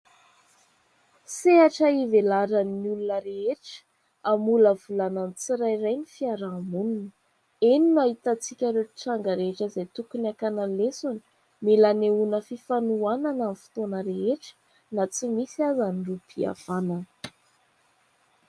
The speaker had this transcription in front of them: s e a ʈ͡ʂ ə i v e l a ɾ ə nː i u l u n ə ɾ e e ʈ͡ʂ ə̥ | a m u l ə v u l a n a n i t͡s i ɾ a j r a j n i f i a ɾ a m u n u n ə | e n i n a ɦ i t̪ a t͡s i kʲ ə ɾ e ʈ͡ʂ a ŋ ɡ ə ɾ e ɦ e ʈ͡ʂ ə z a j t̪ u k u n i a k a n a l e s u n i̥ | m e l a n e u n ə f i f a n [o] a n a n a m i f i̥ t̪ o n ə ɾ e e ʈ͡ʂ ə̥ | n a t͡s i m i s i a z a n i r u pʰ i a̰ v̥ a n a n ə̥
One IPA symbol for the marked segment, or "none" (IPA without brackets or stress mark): u